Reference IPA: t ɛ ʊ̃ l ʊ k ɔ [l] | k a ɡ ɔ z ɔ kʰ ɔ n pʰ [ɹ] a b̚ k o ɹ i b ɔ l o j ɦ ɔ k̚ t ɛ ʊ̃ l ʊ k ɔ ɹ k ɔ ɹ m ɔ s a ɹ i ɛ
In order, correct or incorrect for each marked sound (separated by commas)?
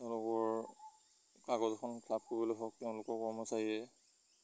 incorrect, incorrect